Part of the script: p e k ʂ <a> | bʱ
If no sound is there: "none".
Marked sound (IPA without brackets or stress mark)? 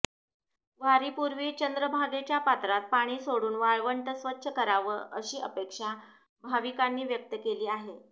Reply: a